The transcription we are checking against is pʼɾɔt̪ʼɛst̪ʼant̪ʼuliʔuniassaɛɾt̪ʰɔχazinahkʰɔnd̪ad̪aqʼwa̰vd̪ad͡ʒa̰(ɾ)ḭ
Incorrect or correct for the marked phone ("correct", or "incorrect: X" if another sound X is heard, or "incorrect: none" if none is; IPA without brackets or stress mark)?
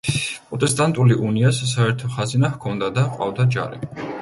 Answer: correct